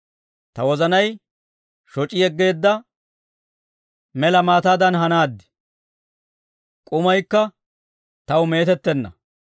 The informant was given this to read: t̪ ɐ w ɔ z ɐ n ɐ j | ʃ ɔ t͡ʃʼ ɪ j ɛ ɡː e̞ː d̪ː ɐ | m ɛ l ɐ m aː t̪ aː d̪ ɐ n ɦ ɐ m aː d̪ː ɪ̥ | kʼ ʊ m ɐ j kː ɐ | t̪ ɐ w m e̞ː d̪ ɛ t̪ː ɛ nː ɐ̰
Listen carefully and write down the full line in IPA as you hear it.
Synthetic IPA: t̪ ɐ w ɔ z ɐ n ɐ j | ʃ ɔ t͡ʃʼ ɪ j ɛ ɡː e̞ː d̪ː ɐ | m ɛ l ɐ m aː t̪ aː d̪ ɐ n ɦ ɐ n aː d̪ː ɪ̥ | kʼ ʊ m ɐ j kː ɐ | t̪ ɐ w m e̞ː t̪ ɛ t̪ː ɛ nː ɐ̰